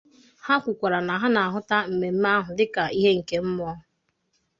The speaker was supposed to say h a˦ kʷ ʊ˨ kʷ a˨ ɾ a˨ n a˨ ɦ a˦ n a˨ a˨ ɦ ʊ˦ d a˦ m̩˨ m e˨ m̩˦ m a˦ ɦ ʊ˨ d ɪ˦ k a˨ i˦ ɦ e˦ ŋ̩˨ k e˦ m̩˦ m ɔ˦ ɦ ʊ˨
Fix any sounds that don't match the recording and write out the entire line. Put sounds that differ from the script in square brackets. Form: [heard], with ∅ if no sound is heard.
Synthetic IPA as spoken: h a˦ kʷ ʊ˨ kʷ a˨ ɾ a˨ n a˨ ɦ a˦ n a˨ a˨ ɦ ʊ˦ [t] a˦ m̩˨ m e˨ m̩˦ m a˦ ɦ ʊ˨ d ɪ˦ k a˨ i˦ ɦ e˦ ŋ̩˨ k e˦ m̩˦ m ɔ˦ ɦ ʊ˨

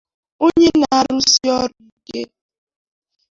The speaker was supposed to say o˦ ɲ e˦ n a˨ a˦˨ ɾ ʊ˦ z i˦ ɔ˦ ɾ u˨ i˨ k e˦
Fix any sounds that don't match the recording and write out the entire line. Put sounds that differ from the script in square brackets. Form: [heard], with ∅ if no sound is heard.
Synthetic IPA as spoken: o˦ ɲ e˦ n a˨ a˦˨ ɾ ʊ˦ [s] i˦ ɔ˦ ɾ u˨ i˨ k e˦

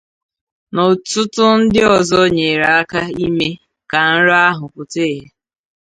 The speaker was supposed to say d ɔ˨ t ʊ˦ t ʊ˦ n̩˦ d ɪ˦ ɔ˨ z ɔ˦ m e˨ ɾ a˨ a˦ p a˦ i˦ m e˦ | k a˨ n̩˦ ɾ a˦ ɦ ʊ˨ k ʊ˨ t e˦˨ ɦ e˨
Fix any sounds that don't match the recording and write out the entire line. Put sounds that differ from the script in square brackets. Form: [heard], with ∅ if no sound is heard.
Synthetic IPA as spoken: [n] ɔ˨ t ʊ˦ t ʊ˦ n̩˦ d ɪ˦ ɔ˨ z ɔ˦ [ɲ] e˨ ɾ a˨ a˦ [k] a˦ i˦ m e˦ | k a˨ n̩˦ ɾ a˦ ɦ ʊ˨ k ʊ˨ t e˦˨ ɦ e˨

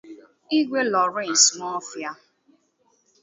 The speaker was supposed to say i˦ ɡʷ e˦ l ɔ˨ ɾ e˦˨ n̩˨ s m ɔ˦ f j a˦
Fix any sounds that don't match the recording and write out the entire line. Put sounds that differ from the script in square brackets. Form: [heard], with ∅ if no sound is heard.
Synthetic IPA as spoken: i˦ ɡʷ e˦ l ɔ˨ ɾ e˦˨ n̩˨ s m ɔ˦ f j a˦

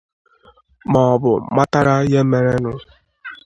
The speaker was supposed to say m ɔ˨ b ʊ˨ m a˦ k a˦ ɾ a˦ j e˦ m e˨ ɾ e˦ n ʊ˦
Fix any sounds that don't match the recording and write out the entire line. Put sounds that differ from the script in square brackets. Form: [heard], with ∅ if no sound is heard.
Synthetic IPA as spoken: m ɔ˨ b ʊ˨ m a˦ [t] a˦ ɾ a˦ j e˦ m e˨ ɾ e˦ n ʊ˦

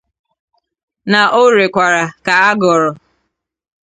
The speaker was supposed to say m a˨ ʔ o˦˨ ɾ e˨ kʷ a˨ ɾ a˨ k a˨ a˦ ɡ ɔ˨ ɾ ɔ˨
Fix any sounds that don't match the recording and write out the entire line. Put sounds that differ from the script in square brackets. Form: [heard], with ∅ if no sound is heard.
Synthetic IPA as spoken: [n] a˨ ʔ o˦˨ ɾ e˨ kʷ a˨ ɾ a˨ k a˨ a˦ ɡ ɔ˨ ɾ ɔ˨

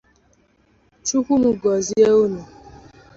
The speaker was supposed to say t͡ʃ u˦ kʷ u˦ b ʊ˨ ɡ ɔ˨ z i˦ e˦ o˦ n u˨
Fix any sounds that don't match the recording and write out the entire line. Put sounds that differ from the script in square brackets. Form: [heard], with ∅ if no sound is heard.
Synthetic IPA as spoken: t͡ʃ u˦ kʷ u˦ [m] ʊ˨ ɡ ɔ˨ z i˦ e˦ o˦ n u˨

